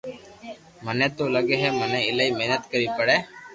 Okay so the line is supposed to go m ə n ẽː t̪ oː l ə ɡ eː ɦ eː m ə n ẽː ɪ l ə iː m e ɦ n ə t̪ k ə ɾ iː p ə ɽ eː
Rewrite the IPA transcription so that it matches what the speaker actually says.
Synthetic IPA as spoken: m ə n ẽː t̪ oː l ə ɡ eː ɦ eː m ə n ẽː ɪ l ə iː m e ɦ n ə t̪ k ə ɾ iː p ə ɽ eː